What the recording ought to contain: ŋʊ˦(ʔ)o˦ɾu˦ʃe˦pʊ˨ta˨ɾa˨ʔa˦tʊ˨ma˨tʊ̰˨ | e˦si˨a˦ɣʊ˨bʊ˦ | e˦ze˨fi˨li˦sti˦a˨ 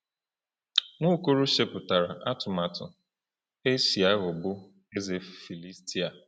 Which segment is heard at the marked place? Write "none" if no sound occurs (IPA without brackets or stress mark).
k